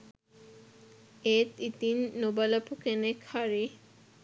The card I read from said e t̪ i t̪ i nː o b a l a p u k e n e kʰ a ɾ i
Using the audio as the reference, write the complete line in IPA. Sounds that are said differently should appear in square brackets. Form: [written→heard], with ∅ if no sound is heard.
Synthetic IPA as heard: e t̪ i t̪ i nː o b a l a p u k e n e kʰ a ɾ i